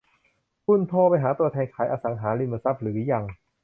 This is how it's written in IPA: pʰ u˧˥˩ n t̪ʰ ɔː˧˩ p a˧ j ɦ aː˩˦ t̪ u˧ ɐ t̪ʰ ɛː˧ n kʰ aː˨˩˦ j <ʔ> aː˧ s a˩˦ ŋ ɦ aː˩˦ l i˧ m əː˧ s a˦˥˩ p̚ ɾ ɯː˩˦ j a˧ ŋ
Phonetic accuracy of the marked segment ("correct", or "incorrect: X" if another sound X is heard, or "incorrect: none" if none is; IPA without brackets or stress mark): correct